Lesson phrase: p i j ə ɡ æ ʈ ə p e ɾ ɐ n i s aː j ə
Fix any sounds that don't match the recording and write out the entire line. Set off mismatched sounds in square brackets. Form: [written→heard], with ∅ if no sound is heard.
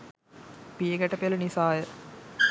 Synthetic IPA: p i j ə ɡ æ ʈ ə p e [ɾ→l] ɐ n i s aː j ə